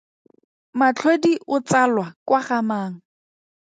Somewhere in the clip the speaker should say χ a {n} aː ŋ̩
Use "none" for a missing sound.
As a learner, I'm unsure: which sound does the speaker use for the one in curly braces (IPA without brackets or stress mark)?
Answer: m